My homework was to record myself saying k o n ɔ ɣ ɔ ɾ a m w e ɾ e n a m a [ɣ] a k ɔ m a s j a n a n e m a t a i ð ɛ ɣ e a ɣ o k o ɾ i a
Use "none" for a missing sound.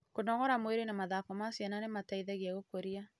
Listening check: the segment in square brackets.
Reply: ð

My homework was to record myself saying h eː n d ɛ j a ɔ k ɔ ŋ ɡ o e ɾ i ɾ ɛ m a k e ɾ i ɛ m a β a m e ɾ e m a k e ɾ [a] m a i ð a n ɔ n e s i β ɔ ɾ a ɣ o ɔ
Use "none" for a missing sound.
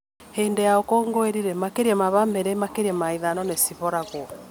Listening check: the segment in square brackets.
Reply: ɛ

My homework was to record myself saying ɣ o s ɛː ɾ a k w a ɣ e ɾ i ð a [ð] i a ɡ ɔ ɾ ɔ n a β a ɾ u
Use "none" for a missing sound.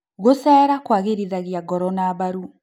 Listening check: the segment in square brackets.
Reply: ɣ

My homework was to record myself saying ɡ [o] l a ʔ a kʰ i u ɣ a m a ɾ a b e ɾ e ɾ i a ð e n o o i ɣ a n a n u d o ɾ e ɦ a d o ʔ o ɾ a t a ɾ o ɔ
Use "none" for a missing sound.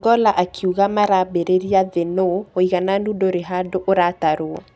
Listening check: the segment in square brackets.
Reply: ɔ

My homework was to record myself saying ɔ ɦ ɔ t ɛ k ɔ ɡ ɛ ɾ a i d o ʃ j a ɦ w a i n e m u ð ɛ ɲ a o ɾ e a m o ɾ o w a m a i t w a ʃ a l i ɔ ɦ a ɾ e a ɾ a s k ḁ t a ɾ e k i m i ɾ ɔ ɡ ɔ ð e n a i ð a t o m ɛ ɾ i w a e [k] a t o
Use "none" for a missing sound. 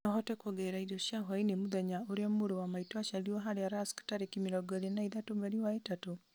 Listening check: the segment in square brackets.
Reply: t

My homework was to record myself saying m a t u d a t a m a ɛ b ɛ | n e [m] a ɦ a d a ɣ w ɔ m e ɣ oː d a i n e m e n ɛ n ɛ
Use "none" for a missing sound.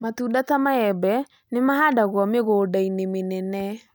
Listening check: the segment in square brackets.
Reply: m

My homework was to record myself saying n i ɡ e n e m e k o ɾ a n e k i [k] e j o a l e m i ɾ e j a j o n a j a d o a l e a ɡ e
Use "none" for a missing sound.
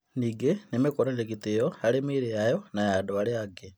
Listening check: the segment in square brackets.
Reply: t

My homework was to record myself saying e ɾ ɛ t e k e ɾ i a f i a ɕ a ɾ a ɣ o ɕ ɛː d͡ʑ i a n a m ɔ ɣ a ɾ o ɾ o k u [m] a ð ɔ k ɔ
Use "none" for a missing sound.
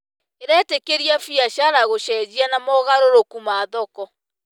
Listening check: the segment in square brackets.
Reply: m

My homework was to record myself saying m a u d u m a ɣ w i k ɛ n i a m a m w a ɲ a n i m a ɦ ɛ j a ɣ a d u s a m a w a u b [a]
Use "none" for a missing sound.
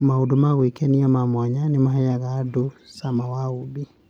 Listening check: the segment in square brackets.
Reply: i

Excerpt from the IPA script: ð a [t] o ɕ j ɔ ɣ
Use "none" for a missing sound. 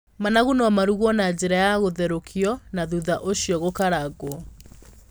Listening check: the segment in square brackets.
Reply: ʔ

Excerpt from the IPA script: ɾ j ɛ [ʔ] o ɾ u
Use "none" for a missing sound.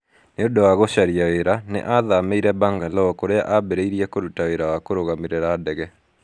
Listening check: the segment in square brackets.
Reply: k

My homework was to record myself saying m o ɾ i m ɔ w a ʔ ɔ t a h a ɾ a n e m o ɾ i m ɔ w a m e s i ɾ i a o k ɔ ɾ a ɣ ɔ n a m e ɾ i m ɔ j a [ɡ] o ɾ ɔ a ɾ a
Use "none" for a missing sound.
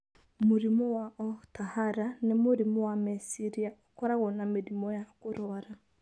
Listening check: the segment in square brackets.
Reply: k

